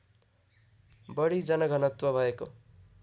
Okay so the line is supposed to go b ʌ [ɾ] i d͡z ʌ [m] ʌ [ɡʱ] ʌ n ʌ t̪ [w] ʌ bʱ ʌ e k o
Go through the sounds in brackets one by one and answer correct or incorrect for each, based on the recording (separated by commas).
incorrect, incorrect, correct, correct